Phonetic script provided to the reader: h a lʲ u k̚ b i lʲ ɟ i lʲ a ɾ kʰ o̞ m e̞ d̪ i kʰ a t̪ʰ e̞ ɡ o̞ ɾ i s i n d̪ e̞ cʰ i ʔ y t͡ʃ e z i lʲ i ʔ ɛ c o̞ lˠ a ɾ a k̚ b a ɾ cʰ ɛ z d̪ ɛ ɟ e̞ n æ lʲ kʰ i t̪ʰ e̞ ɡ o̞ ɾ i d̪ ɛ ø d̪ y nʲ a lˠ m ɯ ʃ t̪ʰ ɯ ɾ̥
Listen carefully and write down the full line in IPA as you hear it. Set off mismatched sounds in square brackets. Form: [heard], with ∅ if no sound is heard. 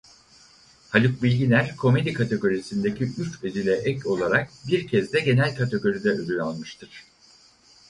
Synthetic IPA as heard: h a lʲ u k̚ b i lʲ ɟ i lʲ [æ] ɾ kʰ o̞ m e̞ d̪ i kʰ a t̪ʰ e̞ ɡ o̞ ɾ i s i n d̪ e̞ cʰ i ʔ y t͡ʃ e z i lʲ [ɛ] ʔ ɛ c o̞ lˠ a ɾ a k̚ b [i] ɾ cʰ ɛ z d̪ ɛ ɟ e̞ n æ lʲ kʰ [a] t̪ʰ e̞ ɡ o̞ ɾ i d̪ ɛ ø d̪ y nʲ a lˠ m ɯ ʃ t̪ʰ ɯ ɾ̥